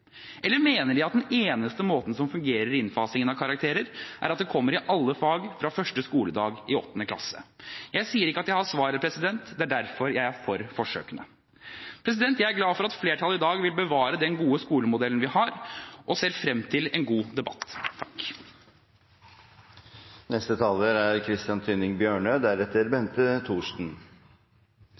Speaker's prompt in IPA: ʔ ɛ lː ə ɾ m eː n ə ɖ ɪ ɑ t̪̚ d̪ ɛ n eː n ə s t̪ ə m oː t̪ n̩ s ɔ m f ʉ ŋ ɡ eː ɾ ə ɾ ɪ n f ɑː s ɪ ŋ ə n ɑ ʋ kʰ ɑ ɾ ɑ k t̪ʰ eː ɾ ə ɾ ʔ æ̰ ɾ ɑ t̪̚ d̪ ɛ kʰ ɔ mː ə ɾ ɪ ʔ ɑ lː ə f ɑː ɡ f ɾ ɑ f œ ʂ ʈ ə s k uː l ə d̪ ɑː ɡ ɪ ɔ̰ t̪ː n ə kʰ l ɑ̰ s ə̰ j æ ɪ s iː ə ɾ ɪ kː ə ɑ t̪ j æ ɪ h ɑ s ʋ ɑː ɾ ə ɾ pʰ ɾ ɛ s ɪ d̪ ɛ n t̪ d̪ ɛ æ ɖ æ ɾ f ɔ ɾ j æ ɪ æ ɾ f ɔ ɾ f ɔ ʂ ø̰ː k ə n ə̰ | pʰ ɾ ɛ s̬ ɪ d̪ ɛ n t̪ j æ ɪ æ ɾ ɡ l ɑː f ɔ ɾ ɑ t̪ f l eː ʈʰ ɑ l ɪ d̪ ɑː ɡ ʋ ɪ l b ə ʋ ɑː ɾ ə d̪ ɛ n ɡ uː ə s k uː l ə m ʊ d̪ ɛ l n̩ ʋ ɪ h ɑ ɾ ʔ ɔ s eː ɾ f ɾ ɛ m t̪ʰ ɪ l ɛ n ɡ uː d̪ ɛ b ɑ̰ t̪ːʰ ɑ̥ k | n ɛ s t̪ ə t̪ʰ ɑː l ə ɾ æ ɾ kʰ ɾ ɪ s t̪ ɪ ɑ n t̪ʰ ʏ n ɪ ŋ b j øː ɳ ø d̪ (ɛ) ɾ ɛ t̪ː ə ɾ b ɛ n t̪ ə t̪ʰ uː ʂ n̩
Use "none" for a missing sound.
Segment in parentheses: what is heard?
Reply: æ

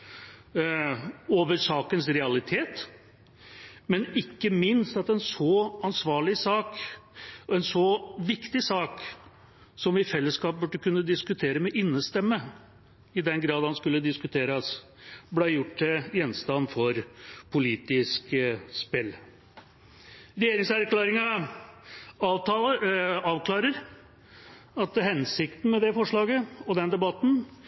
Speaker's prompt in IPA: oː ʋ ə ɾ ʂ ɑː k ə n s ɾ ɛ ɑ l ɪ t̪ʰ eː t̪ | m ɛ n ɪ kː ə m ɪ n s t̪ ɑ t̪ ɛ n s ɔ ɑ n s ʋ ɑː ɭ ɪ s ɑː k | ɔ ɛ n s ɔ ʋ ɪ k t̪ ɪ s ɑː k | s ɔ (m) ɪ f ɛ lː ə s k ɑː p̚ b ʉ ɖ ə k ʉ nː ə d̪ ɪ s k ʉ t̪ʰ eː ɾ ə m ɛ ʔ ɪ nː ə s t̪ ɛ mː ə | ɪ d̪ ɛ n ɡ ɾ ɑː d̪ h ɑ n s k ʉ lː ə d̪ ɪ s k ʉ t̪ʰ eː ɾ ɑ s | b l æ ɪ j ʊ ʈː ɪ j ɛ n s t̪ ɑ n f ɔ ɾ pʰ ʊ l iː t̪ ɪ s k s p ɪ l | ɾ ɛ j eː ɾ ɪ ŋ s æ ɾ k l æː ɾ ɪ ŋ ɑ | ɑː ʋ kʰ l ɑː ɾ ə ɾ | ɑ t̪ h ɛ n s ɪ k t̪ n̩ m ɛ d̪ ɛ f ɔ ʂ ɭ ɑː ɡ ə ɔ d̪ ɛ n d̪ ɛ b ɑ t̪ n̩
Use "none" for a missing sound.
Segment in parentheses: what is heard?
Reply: m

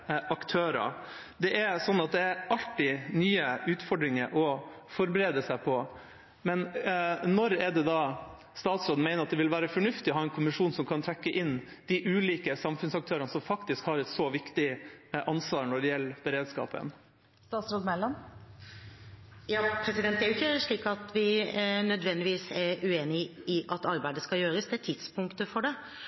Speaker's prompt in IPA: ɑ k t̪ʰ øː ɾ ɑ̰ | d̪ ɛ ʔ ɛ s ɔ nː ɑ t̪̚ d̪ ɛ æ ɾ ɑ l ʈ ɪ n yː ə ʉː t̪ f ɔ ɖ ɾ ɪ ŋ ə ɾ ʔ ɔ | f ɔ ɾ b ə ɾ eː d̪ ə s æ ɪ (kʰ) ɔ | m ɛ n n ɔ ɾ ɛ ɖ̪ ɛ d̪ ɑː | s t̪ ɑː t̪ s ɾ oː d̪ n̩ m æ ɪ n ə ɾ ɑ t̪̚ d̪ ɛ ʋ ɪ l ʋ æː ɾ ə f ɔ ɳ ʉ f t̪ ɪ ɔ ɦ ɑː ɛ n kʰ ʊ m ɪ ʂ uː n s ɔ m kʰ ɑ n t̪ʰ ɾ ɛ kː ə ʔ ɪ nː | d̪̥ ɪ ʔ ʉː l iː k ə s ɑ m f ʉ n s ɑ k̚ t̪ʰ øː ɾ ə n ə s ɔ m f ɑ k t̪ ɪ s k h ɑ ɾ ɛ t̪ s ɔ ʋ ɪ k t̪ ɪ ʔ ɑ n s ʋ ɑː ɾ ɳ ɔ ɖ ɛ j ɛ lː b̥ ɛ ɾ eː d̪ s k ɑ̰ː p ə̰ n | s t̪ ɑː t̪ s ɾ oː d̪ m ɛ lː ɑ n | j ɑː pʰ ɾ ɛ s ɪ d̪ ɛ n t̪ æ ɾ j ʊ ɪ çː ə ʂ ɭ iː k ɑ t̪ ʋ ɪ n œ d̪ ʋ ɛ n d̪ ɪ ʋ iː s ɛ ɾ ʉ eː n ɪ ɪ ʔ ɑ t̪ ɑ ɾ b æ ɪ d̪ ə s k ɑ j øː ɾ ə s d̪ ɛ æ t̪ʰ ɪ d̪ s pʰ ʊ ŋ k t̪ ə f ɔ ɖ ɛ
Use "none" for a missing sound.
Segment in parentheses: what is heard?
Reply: pʰ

